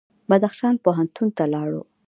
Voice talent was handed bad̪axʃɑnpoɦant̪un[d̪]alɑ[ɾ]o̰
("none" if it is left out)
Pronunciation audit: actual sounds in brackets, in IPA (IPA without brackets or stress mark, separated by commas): t̪, ɽ